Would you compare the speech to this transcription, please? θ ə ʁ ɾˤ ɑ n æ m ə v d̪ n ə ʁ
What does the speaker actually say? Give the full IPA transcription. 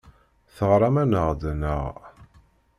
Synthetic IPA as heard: θ ə ʁ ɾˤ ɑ m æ n ə ʁ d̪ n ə ʁ